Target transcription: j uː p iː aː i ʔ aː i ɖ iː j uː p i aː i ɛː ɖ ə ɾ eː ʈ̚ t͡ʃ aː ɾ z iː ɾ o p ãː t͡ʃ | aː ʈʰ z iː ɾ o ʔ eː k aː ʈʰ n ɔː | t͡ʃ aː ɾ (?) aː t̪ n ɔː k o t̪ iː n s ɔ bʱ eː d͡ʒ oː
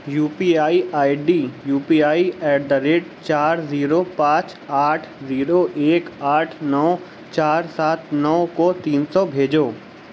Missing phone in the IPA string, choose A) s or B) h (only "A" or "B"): A